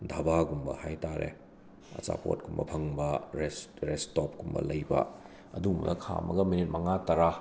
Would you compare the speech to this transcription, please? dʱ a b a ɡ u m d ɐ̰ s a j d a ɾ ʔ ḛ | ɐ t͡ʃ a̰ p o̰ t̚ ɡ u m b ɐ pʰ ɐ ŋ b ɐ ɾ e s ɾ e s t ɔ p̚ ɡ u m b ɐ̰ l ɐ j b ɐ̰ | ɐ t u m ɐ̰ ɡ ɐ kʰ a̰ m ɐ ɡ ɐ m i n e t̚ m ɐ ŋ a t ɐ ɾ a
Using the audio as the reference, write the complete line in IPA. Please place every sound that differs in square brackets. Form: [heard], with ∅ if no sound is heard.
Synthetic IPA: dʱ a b a ɡ u m [b] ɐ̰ [h] a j [t] a ɾ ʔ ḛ | ɐ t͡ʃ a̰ p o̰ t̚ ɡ u m b ɐ pʰ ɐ ŋ b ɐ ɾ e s ɾ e s t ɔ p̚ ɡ u m b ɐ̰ l ɐ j b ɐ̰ | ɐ [d] u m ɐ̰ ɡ ɐ kʰ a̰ m ɐ ɡ ɐ m i n [i] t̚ m ɐ ŋ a t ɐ ɾ a